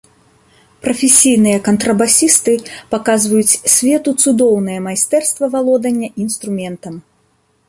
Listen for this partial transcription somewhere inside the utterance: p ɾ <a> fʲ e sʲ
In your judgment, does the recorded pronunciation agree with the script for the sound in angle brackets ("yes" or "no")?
no